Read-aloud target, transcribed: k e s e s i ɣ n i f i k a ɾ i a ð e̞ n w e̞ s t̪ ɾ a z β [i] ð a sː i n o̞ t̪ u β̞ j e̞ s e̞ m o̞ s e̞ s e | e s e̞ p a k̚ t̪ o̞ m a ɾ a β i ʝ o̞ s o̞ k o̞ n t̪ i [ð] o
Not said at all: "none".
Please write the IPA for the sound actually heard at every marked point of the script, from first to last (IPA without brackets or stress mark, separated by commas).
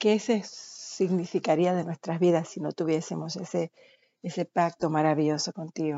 i, ɣ